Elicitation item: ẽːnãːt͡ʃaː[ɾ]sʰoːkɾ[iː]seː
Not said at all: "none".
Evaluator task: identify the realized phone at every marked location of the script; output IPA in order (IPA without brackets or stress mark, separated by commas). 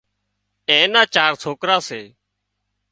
ɾ, aː